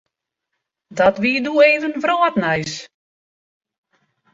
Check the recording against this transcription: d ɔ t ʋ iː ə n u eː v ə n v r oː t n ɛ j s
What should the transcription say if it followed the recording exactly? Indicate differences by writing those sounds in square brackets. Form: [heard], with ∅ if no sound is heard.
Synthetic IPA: d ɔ t ʋ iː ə [d] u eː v ə n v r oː t n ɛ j s